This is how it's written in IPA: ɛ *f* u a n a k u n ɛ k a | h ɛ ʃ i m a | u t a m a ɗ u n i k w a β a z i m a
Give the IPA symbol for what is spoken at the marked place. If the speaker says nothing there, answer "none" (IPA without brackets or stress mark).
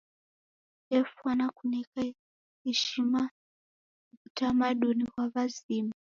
f